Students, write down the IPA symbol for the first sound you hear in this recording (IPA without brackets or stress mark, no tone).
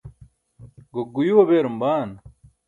ɡ